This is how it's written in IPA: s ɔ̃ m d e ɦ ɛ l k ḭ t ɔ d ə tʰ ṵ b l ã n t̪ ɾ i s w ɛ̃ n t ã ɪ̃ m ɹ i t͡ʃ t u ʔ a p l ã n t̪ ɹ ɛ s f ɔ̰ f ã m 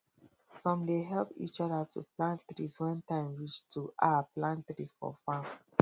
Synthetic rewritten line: s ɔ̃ m d e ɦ ɛ l p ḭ t͡ʃ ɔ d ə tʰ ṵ p l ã n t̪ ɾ i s w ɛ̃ n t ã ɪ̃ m ɹ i t͡ʃ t u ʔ a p l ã n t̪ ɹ i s f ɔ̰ f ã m